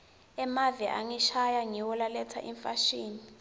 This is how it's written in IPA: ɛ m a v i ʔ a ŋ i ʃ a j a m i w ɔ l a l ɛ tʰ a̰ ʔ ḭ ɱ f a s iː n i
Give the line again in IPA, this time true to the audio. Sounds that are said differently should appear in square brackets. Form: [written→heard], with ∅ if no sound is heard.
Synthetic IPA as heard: ɛ m a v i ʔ a ŋ i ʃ a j a [m→ŋ] i w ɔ l a l ɛ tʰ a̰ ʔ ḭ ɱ f a [s→ʃ] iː n i